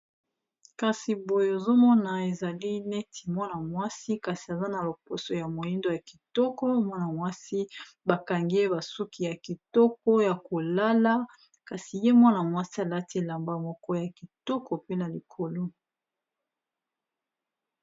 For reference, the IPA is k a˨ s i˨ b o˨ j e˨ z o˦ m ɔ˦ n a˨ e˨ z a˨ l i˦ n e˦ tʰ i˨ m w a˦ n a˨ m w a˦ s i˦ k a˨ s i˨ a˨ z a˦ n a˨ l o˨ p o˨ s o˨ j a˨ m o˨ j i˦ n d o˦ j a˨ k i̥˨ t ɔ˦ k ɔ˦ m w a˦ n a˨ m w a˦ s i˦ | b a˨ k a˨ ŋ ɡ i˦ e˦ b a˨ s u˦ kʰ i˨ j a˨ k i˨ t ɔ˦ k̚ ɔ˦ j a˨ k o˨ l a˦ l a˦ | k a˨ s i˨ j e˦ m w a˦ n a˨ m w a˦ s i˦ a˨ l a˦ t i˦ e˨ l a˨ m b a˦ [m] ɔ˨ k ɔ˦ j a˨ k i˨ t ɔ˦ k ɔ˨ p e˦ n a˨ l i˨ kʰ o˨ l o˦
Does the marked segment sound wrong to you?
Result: no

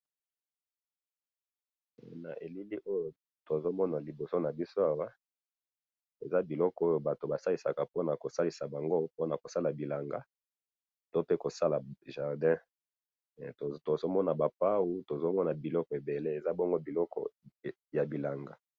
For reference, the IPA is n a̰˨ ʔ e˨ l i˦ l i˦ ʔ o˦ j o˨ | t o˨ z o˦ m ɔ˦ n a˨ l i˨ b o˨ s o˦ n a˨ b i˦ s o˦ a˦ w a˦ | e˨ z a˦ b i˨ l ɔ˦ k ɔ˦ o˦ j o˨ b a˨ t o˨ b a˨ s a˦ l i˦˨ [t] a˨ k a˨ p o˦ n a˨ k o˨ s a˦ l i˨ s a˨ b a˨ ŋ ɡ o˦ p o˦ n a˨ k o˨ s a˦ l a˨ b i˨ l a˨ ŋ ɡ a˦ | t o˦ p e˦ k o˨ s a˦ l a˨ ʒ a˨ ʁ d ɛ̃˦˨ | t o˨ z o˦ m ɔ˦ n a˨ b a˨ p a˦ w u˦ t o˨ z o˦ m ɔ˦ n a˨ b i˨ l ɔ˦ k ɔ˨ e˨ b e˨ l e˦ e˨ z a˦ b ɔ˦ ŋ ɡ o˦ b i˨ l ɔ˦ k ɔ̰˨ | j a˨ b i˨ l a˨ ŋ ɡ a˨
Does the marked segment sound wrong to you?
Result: yes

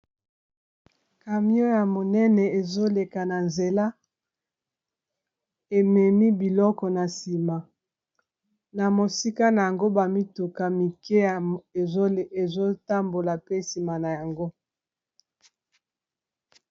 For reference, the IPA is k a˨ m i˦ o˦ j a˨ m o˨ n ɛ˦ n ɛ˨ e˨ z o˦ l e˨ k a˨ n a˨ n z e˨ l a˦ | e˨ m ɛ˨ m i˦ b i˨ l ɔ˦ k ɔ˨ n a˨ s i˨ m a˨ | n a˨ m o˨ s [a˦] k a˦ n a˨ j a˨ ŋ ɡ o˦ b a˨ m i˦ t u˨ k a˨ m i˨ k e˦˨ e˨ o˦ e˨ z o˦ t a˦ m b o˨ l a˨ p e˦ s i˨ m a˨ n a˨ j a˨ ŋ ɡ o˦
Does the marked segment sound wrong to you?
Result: yes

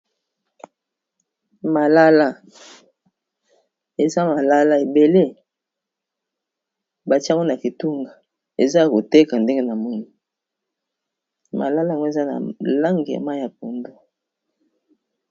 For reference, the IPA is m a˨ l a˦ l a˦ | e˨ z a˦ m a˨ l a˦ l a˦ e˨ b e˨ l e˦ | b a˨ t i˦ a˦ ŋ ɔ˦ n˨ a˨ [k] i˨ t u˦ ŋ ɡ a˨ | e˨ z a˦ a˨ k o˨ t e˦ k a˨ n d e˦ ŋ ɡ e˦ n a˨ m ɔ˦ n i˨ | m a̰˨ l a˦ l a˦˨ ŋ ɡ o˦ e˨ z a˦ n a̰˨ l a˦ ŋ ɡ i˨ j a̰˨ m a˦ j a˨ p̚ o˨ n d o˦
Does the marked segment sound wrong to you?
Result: no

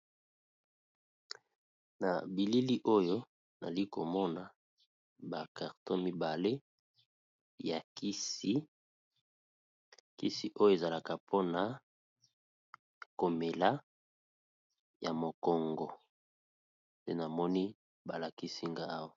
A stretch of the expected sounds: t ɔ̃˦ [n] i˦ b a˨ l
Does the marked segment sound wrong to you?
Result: yes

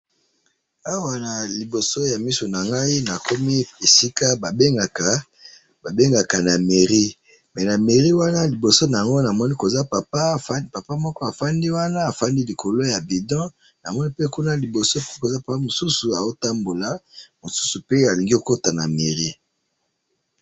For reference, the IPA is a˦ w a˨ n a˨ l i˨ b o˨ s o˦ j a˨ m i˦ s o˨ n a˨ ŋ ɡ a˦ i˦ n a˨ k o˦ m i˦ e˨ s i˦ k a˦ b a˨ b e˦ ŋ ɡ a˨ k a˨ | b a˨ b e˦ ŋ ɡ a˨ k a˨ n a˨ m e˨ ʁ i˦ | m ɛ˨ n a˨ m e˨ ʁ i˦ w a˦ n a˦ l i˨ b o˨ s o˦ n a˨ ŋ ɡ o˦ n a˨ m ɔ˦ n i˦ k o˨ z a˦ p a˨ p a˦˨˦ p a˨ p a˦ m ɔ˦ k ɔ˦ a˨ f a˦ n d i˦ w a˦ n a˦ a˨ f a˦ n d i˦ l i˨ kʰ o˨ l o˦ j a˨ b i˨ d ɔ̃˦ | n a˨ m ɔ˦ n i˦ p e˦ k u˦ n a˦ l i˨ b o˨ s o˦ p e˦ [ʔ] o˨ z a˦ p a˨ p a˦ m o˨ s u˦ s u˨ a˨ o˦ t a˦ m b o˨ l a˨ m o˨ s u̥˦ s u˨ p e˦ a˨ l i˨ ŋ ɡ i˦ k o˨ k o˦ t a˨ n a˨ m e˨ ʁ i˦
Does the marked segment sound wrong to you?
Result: yes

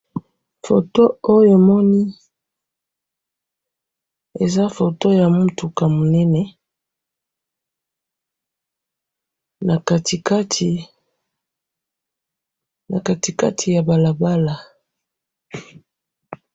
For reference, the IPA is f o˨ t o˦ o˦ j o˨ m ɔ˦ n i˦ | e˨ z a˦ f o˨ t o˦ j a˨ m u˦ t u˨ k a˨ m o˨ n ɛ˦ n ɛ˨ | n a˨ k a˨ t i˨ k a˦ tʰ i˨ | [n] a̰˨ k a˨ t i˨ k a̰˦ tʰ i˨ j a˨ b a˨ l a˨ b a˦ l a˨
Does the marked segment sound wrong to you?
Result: no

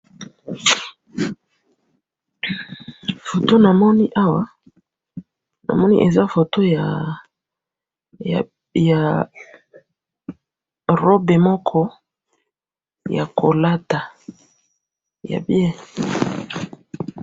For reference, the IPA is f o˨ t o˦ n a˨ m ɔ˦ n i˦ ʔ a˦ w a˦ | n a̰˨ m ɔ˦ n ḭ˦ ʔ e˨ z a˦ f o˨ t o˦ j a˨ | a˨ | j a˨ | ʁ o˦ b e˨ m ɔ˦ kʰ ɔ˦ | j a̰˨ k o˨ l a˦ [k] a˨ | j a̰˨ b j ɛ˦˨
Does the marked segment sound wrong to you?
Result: yes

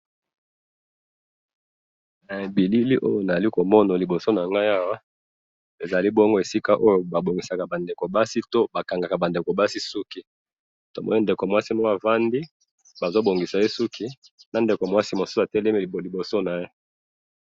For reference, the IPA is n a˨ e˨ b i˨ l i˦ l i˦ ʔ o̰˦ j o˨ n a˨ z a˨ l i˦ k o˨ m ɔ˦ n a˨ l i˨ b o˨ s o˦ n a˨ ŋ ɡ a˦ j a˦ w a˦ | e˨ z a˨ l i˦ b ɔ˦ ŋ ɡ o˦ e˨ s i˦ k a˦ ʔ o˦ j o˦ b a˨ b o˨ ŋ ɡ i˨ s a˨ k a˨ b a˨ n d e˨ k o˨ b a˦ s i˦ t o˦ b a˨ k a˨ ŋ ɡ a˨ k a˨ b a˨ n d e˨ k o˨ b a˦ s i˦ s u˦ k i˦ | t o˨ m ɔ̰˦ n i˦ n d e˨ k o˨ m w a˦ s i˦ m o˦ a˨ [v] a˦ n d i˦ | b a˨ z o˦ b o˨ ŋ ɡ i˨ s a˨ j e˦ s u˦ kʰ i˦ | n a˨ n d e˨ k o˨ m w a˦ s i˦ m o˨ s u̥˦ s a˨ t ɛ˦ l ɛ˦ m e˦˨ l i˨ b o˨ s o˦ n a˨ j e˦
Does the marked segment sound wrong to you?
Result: no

